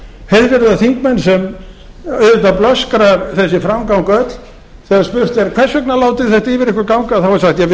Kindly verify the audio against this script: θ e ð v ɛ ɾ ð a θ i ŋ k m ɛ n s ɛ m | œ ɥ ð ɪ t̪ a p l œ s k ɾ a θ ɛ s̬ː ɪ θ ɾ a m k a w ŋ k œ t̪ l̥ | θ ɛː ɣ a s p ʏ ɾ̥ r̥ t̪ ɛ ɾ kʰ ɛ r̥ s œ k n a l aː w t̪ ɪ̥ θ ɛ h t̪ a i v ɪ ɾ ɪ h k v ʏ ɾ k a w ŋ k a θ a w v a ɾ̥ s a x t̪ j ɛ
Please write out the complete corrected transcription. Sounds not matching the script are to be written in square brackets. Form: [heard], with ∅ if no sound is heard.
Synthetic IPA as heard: [h] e ð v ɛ ɾ ð a θ i ŋ k m ɛ n s ɛ m | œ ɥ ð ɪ t̪ a p l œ s k ɾ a θ ɛ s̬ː ɪ [f] ɾ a m k a w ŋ k œ t̪ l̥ | θ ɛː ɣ a s p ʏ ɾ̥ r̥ t̪ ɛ ɾ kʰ ɛ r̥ s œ k n a l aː w t̪ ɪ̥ θ ɛ h t̪ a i v ɪ ɾ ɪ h k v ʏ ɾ k a w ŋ k a θ a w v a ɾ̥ s a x t̪ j ɛ